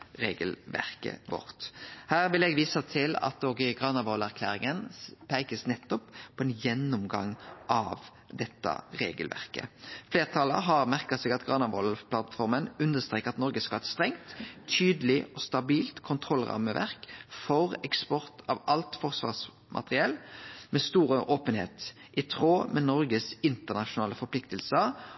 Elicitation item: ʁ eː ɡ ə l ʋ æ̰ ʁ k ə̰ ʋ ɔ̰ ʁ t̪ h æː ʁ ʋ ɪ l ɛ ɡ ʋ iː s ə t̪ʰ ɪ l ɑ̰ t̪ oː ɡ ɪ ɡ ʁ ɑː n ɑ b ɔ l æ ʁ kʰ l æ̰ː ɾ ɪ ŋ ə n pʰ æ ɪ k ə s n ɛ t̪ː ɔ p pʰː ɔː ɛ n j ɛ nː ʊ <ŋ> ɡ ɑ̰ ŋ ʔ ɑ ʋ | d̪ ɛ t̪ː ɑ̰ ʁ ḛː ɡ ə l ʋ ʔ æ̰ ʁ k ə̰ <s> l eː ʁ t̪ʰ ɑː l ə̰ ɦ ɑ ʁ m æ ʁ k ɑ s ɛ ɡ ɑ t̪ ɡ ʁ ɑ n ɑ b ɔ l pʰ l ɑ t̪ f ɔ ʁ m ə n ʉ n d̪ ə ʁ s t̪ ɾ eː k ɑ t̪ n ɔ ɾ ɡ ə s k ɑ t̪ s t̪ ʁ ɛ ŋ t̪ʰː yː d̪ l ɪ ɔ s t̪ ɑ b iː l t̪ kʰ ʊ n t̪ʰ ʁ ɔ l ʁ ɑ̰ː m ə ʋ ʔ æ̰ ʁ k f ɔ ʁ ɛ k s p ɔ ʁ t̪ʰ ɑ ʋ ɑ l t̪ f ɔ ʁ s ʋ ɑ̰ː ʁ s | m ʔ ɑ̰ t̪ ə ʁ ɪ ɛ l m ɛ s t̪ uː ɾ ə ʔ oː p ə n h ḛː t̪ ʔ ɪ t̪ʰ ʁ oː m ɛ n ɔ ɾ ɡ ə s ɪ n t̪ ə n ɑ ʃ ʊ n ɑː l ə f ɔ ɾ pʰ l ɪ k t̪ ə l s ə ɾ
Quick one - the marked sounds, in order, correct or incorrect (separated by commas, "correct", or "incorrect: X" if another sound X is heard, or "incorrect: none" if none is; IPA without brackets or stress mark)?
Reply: incorrect: m, incorrect: f